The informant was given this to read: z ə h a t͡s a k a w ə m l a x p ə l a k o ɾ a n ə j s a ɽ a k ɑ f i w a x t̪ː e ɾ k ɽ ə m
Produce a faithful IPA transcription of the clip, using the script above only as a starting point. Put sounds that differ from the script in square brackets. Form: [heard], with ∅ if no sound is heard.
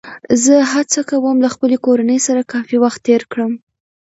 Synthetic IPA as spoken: z ə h a t͡s a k a w ə m l a x p ə l [e] k o ɾ a n ə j s a [ɾ] a k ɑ f i w a x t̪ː e ɾ k ɽ ə m

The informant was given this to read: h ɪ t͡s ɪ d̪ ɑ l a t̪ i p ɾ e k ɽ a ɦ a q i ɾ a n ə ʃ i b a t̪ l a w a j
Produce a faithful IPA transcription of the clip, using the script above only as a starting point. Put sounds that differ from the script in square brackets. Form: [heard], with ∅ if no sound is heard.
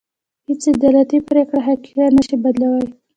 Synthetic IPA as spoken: h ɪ t͡s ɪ d̪ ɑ l a t̪ i p ɾ e k ɽ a ɦ a [k] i ɾ a n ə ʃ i b a [d̪] l a w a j

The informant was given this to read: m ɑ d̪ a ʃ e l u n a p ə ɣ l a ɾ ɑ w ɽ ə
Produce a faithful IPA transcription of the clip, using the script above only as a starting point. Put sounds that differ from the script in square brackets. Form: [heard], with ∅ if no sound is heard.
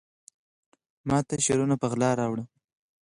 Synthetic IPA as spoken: m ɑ [t̪] a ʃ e [ɾ] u n a p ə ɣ l [ɑ] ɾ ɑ w ɽ ə

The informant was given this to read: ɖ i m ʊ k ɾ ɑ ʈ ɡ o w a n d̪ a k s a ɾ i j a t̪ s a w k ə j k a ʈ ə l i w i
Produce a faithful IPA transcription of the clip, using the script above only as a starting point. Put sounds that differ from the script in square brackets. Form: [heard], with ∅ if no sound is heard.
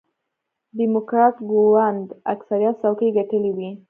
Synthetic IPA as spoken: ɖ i m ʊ k ɾ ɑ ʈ ɡ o w a n d̪ a k s a ɾ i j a t̪ s a w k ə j [ɡ] a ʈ ə l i w i

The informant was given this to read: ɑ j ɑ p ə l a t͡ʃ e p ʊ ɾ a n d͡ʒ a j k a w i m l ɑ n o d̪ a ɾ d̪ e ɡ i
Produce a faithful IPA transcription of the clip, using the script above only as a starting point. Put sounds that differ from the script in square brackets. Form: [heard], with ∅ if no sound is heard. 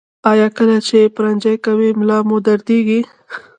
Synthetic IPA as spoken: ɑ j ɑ [k] ə l a t͡ʃ e p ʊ ɾ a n d͡ʒ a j k a w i m l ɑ [m] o d̪ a ɾ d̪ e ɡ i

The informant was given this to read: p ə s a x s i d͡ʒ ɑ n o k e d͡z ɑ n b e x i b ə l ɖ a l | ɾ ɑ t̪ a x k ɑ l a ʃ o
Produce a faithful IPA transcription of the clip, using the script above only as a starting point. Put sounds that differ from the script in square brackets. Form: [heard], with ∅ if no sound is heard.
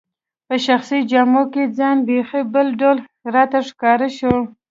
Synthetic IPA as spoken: p ə [ʃ] a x s i d͡ʒ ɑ [m] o k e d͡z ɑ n b e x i b ə l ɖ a l | ɾ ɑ t̪ a [ʂ] k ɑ [ɾ] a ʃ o

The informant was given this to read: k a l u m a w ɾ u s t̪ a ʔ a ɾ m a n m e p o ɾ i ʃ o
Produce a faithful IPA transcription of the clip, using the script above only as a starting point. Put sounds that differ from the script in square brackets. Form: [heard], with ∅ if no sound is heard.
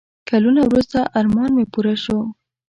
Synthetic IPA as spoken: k a l u [n] a w ɾ u s t̪ a ʔ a ɾ m [ɑ] n m e p [u] ɾ [a] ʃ o

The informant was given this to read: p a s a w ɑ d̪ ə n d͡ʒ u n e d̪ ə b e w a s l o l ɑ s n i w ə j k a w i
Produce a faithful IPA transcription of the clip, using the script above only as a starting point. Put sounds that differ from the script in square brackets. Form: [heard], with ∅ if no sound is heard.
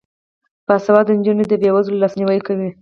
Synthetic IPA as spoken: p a s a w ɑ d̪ ə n d͡ʒ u n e d̪ ə b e w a [z] l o l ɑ s n i w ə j k a w i

